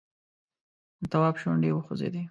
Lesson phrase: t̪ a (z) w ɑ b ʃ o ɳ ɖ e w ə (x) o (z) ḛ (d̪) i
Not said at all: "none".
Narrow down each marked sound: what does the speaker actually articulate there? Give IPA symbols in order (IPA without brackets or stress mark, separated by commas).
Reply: none, x, z, d̪